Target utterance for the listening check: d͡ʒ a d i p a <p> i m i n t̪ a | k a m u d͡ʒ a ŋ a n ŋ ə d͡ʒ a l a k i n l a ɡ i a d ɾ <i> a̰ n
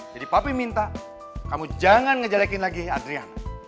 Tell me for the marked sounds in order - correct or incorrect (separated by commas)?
correct, correct